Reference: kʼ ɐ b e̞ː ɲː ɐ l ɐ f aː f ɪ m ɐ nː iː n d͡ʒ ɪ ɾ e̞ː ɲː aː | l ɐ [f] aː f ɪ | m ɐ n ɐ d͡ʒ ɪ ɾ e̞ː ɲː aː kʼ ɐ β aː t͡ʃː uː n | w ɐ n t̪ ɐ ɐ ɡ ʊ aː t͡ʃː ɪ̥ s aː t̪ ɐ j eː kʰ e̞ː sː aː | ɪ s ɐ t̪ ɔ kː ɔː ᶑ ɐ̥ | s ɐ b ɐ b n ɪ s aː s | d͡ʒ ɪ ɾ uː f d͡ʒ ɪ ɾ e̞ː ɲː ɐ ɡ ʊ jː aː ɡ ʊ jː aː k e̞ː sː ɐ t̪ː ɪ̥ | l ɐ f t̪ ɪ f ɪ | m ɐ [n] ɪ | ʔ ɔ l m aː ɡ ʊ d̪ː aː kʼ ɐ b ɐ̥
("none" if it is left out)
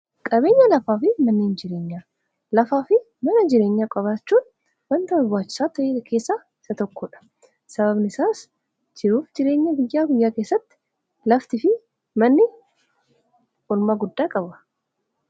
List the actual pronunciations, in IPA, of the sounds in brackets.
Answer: f, nː

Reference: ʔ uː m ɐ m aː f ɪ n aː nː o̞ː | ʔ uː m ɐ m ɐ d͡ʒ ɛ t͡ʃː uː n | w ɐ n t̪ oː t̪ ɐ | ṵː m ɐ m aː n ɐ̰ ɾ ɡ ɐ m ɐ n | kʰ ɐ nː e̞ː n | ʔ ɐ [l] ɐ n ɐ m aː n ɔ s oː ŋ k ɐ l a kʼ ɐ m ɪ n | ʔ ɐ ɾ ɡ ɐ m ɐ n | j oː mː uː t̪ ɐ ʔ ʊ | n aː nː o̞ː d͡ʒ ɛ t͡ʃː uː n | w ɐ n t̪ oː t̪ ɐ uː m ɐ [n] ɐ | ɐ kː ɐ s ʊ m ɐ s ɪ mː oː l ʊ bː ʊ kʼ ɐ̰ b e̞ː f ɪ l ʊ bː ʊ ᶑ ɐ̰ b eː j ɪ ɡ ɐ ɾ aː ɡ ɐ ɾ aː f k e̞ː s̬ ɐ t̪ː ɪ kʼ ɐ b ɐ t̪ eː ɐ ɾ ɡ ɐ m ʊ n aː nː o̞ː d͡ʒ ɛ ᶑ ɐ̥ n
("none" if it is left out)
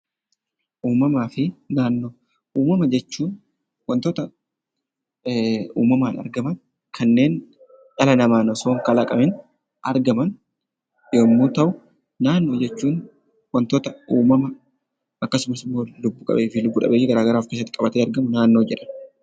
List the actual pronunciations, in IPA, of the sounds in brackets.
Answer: l, m

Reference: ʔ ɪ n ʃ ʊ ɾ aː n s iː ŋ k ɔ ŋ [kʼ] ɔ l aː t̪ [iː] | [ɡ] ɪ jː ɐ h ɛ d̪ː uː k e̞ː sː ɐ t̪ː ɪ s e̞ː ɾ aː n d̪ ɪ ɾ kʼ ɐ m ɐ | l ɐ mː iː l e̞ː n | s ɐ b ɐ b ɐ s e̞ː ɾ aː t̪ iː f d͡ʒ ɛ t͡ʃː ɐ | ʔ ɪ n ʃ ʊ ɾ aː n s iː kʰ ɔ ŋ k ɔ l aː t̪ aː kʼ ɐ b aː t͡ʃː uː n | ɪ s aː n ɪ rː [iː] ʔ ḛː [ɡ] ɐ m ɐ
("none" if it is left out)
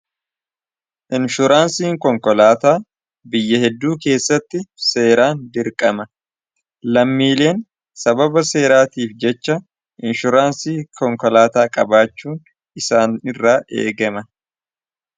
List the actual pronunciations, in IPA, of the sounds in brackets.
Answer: k, aː, b, aː, ɡ

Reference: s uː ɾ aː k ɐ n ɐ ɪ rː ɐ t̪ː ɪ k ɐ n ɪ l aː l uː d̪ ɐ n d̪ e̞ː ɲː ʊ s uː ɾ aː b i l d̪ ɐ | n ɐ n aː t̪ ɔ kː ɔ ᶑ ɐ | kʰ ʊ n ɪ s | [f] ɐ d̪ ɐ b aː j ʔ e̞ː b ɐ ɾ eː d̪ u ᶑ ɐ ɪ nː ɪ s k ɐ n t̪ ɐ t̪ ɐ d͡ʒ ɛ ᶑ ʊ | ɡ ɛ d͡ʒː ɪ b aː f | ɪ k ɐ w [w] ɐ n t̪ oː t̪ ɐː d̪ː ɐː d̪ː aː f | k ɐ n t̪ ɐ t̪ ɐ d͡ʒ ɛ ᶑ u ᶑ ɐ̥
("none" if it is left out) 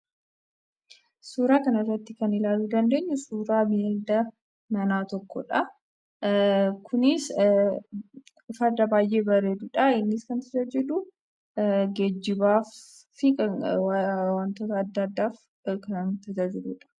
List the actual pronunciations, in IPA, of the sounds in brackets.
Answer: f, w

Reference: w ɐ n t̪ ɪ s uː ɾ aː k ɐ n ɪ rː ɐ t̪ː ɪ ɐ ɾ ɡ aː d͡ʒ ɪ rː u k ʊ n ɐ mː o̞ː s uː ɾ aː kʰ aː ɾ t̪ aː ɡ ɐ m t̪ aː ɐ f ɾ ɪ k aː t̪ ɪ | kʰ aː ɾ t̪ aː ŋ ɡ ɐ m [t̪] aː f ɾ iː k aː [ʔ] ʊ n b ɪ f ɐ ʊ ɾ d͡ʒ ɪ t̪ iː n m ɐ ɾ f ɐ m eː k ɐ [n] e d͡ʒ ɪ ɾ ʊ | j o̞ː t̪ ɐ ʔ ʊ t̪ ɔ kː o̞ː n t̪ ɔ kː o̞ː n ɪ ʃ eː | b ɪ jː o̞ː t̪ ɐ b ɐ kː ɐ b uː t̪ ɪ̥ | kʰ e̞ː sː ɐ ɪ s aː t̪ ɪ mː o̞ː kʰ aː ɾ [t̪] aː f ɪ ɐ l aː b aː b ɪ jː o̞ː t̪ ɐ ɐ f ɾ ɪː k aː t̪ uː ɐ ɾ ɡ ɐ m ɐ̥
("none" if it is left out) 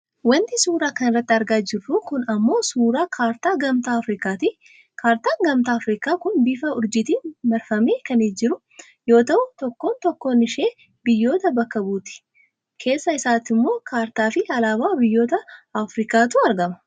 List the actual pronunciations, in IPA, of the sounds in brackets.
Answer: t̪, k, n, t̪

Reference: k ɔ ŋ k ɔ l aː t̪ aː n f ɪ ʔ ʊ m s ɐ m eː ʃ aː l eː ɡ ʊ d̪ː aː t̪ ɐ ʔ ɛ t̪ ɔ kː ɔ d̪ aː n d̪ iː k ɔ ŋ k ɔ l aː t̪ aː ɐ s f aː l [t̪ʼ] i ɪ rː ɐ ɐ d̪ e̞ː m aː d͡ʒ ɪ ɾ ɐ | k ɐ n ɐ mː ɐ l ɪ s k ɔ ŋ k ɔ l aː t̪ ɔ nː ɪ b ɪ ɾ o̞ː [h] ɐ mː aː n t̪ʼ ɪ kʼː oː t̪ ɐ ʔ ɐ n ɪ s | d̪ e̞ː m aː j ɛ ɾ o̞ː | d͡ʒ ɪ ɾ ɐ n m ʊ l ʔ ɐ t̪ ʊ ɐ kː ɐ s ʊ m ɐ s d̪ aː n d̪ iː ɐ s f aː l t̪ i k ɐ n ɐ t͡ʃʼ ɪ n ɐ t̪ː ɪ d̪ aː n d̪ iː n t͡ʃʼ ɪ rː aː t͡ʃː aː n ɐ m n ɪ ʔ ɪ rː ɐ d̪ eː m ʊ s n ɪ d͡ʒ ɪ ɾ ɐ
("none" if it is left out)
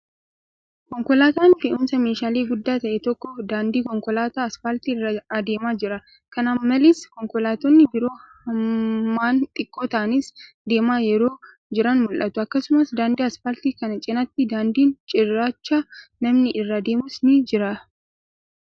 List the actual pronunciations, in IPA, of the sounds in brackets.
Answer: t̪, h

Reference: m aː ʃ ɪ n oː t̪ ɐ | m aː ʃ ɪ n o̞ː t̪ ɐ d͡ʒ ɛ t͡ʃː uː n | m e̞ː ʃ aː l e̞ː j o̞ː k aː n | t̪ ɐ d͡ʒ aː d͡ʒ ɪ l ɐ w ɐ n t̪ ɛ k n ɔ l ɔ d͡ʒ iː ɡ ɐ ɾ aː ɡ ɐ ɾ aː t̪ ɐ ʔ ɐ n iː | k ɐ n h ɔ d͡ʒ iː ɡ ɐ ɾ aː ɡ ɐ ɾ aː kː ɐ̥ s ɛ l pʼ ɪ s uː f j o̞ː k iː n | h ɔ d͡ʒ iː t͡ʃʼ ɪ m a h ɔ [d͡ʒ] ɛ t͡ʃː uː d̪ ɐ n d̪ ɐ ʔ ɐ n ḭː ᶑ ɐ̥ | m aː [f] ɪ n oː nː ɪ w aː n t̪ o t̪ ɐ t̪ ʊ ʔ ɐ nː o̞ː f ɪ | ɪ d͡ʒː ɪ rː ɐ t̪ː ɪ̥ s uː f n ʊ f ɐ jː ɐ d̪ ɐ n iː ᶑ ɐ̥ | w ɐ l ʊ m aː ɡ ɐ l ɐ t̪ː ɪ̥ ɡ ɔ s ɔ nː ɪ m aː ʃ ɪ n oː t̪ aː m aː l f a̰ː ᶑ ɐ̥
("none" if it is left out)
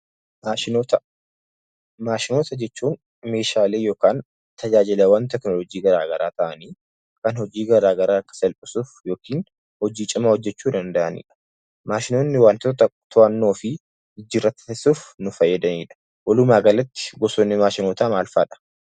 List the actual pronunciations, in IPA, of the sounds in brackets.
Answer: d͡ʒː, ʃ

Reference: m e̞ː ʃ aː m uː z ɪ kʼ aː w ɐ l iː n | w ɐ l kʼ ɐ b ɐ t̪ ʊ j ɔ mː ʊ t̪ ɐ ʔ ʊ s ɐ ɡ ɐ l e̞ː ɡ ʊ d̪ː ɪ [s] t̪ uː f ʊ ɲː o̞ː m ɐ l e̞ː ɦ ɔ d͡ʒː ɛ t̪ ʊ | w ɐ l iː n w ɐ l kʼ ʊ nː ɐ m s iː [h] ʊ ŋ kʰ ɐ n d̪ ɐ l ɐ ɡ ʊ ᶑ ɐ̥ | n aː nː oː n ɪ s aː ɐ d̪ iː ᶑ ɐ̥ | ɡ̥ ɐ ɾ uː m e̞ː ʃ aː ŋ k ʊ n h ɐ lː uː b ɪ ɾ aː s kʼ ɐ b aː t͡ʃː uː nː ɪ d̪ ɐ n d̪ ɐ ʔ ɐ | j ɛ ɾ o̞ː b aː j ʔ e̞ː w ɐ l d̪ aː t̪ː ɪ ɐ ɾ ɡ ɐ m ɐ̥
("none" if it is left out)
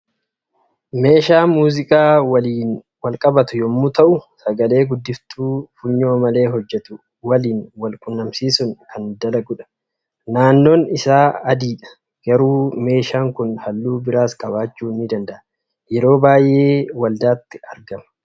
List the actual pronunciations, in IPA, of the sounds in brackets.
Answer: f, s

